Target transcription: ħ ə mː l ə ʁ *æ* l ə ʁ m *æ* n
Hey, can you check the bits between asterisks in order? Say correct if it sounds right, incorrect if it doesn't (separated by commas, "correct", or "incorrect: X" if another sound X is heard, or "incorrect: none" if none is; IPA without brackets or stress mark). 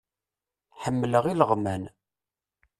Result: incorrect: i, correct